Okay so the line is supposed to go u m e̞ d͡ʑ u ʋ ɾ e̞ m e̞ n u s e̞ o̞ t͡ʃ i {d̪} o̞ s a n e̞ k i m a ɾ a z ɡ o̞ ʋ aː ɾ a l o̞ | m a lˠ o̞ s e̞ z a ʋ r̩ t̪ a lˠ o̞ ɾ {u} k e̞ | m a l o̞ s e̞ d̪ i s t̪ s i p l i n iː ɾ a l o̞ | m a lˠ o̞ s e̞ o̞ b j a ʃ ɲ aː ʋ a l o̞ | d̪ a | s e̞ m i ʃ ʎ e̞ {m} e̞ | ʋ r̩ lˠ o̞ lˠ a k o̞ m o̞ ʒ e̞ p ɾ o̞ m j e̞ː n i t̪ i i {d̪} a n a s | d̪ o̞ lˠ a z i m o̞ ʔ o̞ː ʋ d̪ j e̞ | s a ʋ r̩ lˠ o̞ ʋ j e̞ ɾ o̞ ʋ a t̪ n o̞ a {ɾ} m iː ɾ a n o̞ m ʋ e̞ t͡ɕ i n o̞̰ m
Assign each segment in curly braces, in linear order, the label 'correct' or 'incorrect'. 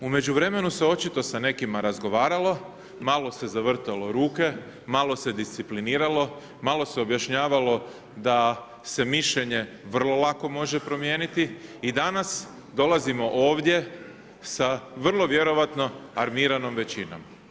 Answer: incorrect: t̪, incorrect: uː, incorrect: ɲ, correct, correct

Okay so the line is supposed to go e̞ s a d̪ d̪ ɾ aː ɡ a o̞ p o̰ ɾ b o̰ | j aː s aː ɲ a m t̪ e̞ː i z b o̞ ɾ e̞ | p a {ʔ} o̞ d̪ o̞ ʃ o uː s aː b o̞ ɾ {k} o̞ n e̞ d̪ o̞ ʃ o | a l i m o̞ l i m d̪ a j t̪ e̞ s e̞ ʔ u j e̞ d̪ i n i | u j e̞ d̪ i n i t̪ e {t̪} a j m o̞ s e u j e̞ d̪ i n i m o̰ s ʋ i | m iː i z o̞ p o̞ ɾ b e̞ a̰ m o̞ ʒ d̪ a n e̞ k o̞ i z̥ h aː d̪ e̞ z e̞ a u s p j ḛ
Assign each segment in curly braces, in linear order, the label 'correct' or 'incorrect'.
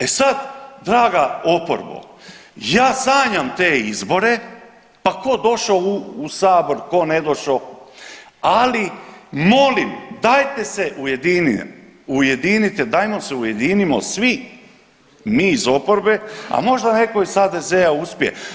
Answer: incorrect: k, correct, incorrect: d̪

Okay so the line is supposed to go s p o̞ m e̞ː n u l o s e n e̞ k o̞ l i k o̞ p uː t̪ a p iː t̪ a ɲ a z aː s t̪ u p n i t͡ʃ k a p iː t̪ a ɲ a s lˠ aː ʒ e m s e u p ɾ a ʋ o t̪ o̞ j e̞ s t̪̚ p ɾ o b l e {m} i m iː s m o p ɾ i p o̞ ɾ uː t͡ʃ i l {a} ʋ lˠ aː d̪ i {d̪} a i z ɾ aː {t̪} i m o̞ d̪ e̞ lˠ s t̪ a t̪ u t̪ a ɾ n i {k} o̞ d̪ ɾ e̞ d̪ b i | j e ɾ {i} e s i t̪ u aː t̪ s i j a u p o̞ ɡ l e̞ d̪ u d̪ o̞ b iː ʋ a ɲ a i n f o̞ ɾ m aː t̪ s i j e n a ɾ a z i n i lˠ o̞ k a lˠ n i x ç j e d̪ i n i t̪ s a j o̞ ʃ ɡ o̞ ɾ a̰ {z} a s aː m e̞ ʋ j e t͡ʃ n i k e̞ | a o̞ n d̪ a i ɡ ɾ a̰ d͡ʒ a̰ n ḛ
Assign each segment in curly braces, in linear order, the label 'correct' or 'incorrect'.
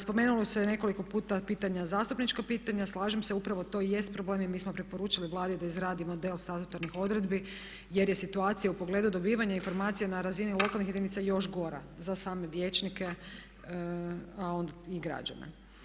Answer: correct, incorrect: i, correct, incorrect: d̪, incorrect: x, incorrect: j, correct

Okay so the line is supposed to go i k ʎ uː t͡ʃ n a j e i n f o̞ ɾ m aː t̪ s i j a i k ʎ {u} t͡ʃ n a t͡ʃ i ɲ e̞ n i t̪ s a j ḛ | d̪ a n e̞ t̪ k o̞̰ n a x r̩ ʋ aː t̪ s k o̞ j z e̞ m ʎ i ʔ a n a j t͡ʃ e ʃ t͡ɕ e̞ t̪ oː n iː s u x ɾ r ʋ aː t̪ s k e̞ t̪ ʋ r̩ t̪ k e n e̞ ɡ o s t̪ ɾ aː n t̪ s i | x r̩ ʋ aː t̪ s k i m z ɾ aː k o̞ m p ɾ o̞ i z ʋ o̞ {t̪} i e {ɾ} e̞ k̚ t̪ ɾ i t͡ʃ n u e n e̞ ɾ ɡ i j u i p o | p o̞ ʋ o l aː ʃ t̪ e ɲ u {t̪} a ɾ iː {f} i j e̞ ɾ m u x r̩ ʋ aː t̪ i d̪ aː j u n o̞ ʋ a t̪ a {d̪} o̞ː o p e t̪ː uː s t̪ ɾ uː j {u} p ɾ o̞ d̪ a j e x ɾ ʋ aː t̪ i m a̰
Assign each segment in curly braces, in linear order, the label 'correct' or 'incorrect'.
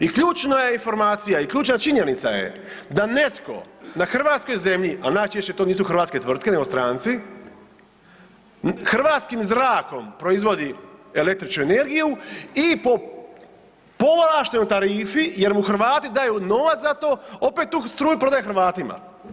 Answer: incorrect: uː, incorrect: d̪, incorrect: l, correct, correct, incorrect: t̪, correct

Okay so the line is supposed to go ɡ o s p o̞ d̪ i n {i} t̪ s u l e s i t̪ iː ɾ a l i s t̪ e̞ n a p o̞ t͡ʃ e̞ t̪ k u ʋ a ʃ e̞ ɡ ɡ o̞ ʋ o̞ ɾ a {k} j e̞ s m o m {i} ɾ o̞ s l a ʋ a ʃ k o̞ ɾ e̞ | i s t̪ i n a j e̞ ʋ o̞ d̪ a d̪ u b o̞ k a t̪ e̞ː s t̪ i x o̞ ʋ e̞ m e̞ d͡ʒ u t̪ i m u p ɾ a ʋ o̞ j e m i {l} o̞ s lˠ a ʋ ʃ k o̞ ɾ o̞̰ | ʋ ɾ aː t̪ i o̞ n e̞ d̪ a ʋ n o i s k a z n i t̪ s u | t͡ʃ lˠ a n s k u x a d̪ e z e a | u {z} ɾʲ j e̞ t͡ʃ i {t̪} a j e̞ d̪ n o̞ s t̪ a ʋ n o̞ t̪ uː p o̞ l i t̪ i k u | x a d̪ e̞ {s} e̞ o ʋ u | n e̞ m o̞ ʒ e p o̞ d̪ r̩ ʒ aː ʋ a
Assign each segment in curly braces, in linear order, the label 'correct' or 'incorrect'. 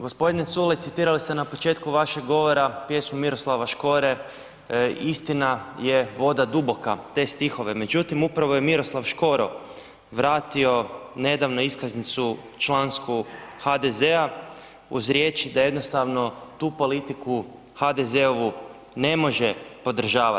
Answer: incorrect: e, incorrect: p, correct, incorrect: ɾ, correct, incorrect: d̪, incorrect: z

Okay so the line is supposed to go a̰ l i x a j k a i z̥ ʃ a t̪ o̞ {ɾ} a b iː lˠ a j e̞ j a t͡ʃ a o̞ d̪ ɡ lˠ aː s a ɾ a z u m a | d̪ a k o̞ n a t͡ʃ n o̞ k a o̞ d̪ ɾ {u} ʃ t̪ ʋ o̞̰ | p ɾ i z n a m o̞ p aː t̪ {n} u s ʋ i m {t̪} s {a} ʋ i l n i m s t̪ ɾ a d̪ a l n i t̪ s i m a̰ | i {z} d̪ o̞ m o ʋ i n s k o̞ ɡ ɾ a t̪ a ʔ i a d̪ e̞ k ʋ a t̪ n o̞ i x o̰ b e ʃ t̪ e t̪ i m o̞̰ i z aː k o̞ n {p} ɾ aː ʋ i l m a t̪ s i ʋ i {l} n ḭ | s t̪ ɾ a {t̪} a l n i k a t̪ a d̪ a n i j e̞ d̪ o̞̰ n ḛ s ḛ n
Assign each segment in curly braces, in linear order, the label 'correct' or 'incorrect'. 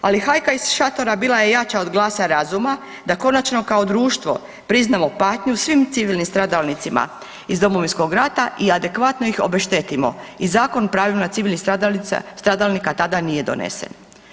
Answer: correct, incorrect: uː, incorrect: ɲ, correct, incorrect: i, correct, correct, correct, incorrect: d̪

